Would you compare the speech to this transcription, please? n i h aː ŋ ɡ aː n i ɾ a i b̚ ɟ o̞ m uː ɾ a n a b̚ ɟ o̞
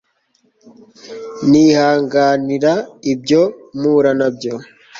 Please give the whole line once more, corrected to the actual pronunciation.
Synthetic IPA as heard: n i h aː ŋ ɡ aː n i ɾ a i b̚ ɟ o̞ m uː ɾ a n a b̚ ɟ o̞